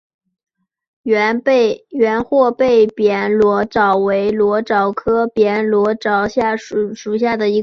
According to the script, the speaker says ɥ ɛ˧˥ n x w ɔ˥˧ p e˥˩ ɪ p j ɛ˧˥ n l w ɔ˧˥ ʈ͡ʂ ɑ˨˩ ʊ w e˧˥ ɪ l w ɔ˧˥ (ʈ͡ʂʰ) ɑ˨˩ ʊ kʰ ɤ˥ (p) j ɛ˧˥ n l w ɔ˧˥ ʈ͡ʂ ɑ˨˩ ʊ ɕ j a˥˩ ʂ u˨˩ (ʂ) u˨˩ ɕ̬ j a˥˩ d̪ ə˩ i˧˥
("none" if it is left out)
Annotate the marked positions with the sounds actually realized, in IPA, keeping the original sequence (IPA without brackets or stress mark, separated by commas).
ʈ͡ʂ, p, ʂ